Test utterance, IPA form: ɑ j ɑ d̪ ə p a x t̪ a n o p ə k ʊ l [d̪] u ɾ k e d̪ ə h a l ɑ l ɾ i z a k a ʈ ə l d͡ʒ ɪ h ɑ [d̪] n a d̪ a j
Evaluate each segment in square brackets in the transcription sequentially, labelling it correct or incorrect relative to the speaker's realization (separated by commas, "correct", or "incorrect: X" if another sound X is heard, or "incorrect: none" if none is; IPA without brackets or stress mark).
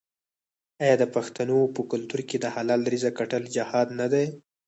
incorrect: t̪, correct